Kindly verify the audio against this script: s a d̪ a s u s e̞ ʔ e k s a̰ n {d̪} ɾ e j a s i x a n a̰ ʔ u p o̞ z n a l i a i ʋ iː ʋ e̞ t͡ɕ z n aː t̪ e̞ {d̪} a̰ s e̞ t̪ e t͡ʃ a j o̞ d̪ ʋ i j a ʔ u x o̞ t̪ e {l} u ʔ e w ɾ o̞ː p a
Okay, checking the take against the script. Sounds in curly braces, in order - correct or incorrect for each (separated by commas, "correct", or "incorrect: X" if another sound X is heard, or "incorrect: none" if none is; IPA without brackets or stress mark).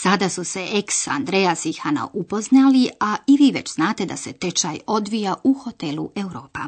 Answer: correct, correct, correct